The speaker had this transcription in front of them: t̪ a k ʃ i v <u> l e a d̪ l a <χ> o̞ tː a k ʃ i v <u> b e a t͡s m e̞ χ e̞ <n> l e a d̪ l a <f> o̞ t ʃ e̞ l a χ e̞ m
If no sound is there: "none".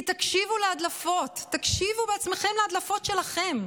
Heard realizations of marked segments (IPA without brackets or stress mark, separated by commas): u, f, u, m, f